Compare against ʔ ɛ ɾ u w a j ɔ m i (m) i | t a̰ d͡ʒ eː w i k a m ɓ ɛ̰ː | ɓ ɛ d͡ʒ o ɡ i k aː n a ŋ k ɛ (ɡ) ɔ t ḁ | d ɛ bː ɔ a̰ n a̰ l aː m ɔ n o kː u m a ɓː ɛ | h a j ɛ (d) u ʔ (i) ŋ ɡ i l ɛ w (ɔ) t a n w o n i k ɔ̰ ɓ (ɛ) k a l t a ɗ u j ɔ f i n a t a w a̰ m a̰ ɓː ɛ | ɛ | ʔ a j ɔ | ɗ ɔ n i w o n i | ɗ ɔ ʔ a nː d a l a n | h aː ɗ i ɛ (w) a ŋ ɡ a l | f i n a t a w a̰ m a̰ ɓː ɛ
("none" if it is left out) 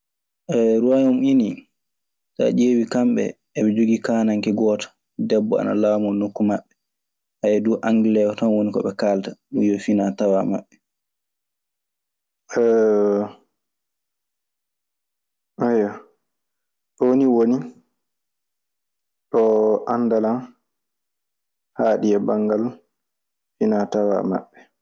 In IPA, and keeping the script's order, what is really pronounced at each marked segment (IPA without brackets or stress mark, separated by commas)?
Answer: n, ɡ, d, a, ɔ, ɛ, b